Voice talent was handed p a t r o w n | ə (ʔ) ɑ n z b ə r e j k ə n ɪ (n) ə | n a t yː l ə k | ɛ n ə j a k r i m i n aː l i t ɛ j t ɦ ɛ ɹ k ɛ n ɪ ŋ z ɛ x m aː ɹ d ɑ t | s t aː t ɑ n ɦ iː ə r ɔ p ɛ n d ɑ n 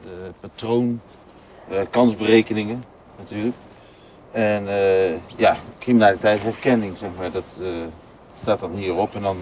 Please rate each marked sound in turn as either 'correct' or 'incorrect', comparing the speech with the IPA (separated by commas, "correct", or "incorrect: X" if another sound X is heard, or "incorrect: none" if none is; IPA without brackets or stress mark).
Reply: incorrect: k, incorrect: ŋ